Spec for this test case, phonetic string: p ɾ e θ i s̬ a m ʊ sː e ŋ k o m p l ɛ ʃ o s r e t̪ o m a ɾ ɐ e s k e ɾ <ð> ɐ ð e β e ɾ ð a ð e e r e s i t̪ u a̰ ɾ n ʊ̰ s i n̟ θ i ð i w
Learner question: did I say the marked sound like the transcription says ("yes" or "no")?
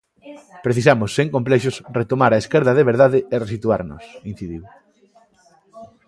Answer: yes